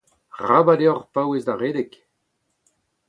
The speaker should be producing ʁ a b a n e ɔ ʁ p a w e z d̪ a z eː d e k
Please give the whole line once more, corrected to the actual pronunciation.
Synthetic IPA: ʁ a b a d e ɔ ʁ p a w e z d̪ a ʁ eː d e k